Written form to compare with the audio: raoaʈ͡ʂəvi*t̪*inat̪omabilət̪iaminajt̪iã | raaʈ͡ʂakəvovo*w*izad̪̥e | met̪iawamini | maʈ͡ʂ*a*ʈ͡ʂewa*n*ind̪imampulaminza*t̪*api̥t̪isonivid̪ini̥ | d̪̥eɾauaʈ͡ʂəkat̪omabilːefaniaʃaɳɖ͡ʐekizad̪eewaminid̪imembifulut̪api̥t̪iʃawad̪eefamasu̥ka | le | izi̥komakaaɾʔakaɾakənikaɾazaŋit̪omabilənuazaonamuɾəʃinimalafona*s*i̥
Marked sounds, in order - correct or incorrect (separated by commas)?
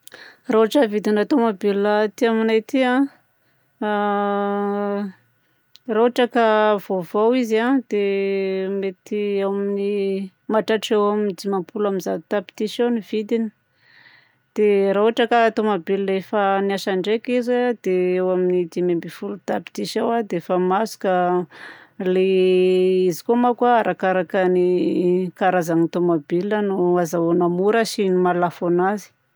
incorrect, correct, correct, incorrect, correct, incorrect